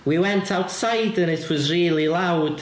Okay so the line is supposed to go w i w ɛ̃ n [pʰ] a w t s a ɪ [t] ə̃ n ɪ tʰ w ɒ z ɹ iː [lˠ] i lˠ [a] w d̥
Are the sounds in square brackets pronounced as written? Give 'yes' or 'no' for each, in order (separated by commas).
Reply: no, no, yes, yes